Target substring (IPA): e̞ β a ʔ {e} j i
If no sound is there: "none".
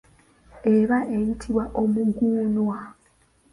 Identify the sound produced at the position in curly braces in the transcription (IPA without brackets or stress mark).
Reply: e